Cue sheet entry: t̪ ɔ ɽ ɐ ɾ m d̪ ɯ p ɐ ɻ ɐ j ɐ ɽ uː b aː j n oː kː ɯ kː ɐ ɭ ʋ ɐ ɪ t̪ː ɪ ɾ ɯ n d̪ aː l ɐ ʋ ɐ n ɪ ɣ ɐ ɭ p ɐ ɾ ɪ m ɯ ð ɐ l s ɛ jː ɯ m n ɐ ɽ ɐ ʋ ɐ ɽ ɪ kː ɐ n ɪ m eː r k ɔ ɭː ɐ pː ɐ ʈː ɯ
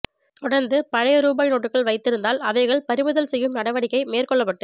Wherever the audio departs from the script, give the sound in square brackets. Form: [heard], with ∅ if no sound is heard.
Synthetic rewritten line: t̪ ɔ ɽ ɐ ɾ [n] d̪ ɯ p ɐ ɻ ɐ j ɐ [ɾ] uː b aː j n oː [ʈː] ɯ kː ɐ ɭ ʋ ɐ ɪ t̪ː ɪ ɾ ɯ n d̪ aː l ɐ ʋ ɐ [∅] ɪ ɣ ɐ ɭ p ɐ ɾ ɪ m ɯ ð ɐ l s ɛ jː ɯ m n ɐ ɽ ɐ ʋ ɐ ɽ ɪ kː ɐ [∅] ɪ m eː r k ɔ ɭː ɐ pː ɐ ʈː ɯ

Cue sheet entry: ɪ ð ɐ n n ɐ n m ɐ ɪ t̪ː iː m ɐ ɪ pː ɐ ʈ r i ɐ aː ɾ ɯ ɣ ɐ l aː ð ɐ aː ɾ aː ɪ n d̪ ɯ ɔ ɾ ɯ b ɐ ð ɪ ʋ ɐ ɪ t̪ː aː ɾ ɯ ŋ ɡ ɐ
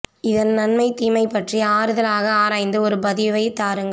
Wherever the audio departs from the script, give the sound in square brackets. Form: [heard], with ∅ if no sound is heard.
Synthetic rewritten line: ɪ ð ɐ n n ɐ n m ɐ ɪ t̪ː iː m ɐ ɪ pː ɐ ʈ r i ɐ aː ɾ ɯ [ð] ɐ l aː [ɣ] ɐ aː ɾ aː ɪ n d̪ ɯ ɔ ɾ ɯ b ɐ ð ɪ ʋ ɐ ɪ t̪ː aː ɾ ɯ ŋ ɡ ɐ

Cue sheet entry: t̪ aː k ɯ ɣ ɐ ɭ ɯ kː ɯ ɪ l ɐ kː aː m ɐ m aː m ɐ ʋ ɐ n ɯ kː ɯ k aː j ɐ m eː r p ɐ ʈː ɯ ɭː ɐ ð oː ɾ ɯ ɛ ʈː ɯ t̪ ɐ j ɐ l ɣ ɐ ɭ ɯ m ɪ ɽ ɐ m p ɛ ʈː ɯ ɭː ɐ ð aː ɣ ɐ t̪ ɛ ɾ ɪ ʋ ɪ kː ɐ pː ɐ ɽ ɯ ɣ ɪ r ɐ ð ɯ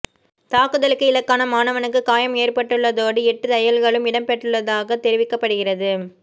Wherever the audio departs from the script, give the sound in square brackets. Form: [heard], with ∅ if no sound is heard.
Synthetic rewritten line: t̪ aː k ɯ [ð] ɐ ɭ ɯ kː ɯ ɪ l ɐ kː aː [n] ɐ m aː [n] ɐ ʋ ɐ n ɯ kː ɯ k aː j ɐ m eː r p ɐ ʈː ɯ ɭː ɐ ð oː [ɽ] ɯ ɛ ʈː ɯ t̪ ɐ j ɐ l ɣ ɐ ɭ ɯ m ɪ ɽ ɐ m p ɛ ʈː ɯ ɭː ɐ ð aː ɣ ɐ t̪ ɛ ɾ ɪ ʋ ɪ kː ɐ pː ɐ ɽ ɯ ɣ ɪ r ɐ ð ɯ

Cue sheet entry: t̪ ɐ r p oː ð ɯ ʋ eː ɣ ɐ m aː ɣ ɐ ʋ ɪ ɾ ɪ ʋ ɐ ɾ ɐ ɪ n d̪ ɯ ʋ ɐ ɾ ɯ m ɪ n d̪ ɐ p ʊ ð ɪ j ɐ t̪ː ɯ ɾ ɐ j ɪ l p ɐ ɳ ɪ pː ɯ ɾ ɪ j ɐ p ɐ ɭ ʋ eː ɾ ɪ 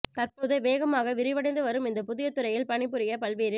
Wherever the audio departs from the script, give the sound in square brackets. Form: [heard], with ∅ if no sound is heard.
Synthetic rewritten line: t̪ ɐ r p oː ð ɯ ʋ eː ɣ ɐ m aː ɣ ɐ ʋ ɪ ɾ ɪ ʋ ɐ [ɽ] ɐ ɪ n d̪ ɯ ʋ ɐ ɾ ɯ m ɪ n d̪ ɐ p ʊ ð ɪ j ɐ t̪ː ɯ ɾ ɐ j ɪ l p ɐ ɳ ɪ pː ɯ ɾ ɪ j ɐ p ɐ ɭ ʋ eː ɾ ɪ

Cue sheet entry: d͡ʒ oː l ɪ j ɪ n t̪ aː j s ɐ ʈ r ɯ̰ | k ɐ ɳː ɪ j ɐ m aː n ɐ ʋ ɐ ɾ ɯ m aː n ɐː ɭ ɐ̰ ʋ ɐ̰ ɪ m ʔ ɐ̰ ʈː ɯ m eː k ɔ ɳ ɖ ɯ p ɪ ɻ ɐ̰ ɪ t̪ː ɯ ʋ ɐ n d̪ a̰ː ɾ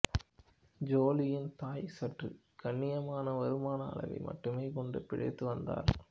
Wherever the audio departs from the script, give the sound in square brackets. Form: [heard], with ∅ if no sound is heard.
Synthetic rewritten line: d͡ʒ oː l ɪ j ɪ n t̪ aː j s ɐ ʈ r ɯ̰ | k ɐ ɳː ɪ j ɐ m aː n ɐ ʋ ɐ ɾ ɯ m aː n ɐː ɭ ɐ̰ ʋ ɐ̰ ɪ m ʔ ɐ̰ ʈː ɯ m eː k ɔ ɳ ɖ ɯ p ɪ ɻ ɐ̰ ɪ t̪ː ɯ ʋ ɐ n d̪ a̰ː ɾ

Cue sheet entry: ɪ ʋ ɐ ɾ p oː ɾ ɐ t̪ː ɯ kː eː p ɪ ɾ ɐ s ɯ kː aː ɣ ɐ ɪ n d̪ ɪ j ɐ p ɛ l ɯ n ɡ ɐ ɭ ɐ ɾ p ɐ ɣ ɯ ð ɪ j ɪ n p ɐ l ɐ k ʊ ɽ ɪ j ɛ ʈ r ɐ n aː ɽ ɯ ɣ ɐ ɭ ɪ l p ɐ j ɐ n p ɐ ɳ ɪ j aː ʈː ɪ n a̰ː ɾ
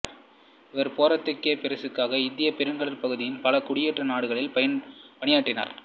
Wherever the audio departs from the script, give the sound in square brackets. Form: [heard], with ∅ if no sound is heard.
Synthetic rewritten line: ɪ ʋ ɐ ɾ p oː ɾ ɐ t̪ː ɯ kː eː p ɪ ɾ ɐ s ɯ kː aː ɣ ɐ ɪ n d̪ ɪ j ɐ p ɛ [ɾ] ɯ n ɡ ɐ ɭ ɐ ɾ p ɐ ɣ ɯ ð ɪ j ɪ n p ɐ l ɐ k ʊ ɽ ɪ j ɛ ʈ r ɐ n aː ɽ ɯ ɣ ɐ ɭ ɪ l p ɐ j ɐ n p ɐ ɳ ɪ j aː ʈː ɪ n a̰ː ɾ

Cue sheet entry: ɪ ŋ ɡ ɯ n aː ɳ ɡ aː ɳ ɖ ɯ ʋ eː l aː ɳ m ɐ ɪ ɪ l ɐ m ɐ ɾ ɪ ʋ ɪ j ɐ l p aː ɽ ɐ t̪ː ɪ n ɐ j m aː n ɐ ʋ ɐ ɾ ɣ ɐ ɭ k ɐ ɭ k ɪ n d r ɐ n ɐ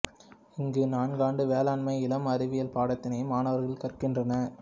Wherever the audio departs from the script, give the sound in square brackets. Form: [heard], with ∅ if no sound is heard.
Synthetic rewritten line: ɪ ŋ ɡ ɯ n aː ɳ ɡ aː ɳ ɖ ɯ ʋ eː l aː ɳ m ɐ ɪ ɪ l ɐ m ɐ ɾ ɪ ʋ ɪ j ɐ l p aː ɽ ɐ t̪ː ɪ n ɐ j m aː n ɐ ʋ ɐ ɾ ɣ ɐ ɭ k ɐ [r] k ɪ n d r ɐ n ɐ

